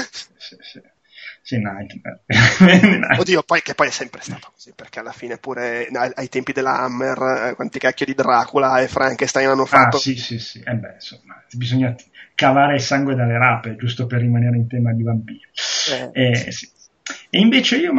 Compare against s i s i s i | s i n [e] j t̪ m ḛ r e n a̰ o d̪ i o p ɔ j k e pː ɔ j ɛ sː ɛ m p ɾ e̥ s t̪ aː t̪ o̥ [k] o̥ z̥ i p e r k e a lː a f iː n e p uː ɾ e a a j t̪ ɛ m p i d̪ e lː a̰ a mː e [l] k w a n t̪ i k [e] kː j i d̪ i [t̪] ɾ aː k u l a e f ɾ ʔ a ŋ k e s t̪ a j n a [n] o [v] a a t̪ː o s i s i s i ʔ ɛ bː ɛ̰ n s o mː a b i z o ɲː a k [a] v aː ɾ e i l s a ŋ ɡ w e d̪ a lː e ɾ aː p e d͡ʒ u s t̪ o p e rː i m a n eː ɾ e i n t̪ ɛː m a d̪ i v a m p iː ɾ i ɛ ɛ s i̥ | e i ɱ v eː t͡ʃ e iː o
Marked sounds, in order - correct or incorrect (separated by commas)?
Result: incorrect, correct, incorrect, incorrect, incorrect, incorrect, incorrect, correct